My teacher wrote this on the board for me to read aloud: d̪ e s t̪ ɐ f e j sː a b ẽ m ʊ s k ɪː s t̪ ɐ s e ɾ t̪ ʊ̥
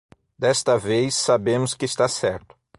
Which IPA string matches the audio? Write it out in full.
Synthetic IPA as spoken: d̪ ɛ s t̪ ɐ v e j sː a b ẽ m ʊ s k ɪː s t̪ a s ɛ ɾ t̪ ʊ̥